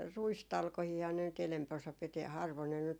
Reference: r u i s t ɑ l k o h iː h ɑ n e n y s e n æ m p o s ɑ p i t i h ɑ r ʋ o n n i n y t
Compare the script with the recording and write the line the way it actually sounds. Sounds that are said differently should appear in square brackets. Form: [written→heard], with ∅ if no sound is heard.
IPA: r u i s t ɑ l k o h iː h ɑ n e n y [s→t] e n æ m p o s ɑ p i t i h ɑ r ʋ o n n [i→e] n y t